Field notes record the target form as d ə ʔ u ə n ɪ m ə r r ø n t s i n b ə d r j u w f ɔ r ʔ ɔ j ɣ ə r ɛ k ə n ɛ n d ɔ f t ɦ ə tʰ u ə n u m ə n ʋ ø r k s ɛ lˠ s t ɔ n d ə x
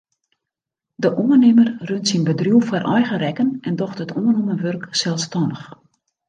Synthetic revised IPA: d ə ʔ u ə n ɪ m ə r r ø n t s i n b ə d r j u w f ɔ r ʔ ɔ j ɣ ə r ɛ k ə n ɛ n d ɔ x t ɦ ə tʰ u ə n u m ə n ʋ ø r k s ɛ lˠ s t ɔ n d ə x